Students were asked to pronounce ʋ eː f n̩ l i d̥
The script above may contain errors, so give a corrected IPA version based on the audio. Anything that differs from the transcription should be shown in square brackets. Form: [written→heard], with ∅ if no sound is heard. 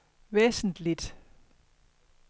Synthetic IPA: ʋ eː [f→s] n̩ l i d̥